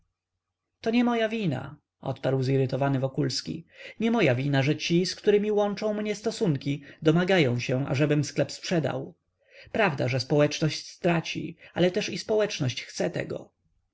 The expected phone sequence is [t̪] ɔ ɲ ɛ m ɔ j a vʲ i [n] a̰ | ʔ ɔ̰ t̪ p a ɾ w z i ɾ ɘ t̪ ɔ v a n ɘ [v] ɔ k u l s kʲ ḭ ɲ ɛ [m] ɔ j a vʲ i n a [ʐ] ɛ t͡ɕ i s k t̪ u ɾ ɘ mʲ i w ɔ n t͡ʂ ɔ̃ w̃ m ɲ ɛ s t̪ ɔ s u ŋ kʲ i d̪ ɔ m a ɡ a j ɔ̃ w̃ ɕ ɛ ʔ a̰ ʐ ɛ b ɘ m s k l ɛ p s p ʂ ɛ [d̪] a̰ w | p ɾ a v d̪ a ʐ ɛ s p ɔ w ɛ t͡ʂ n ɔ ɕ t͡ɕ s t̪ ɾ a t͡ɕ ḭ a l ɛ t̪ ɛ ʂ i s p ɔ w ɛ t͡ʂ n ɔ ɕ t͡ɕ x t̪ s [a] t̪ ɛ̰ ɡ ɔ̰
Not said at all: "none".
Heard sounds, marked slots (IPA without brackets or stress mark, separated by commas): t̪, n, v, m, ʐ, d̪, ɛ